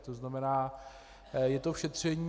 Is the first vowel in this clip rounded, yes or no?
yes